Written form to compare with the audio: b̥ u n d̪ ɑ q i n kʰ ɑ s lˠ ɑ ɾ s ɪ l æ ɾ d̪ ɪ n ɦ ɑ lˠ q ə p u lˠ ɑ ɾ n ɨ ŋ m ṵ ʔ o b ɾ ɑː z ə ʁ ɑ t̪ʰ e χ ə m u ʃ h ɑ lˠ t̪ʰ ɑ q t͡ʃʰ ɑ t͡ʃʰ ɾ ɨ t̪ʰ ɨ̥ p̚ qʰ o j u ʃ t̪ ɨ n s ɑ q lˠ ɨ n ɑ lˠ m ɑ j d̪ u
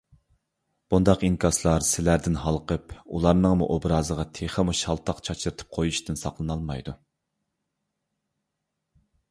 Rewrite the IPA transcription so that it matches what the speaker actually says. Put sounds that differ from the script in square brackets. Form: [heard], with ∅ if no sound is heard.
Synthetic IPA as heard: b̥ u n d̪ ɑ q i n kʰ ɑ s lˠ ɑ ɾ s ɪ l æ ɾ d̪ ɪ n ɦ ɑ lˠ q ə p u lˠ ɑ ɾ n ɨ ŋ m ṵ ʔ o b ɾ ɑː z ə ʁ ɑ t̪ʰ e χ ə m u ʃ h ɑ lˠ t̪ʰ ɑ q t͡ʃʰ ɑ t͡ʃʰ ɾ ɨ t̪ʰ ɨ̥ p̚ qʰ o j u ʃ t̪ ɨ n s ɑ q lˠ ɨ n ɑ lˠ m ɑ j d̪ u